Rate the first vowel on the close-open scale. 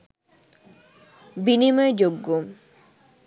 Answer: close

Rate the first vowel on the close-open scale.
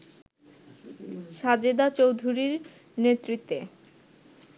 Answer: open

